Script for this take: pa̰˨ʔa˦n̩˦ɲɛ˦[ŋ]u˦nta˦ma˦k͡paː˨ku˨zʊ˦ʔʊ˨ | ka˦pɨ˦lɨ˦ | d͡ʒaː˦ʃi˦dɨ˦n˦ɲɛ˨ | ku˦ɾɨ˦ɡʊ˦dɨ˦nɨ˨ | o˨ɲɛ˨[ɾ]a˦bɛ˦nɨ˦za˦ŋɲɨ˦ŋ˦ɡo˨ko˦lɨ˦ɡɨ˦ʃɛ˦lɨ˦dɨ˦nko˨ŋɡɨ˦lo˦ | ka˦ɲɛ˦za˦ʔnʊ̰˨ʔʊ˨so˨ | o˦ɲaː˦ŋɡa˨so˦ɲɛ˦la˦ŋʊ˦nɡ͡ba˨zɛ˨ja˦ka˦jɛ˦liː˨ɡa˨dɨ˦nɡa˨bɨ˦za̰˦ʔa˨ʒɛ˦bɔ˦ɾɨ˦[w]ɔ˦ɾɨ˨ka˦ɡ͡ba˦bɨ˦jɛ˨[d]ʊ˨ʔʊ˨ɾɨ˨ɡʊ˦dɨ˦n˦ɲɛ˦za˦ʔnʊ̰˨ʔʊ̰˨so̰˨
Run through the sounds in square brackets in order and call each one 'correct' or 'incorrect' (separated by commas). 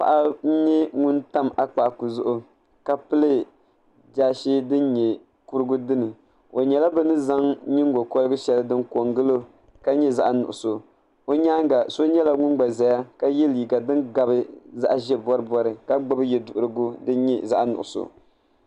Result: correct, incorrect, incorrect, correct